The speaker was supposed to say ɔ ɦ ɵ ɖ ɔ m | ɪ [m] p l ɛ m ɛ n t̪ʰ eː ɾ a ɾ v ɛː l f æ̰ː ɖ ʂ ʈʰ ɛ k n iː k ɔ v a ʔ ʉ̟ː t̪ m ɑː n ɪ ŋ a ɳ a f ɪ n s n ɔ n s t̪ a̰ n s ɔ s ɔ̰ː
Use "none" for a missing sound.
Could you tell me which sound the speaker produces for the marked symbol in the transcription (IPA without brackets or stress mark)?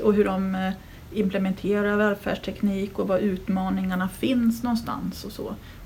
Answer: m